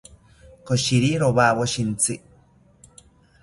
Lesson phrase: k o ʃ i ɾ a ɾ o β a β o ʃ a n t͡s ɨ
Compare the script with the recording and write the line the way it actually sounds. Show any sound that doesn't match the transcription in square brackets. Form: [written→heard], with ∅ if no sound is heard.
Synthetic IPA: k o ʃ i ɾ [a→i] ɾ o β a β o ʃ [a→i] n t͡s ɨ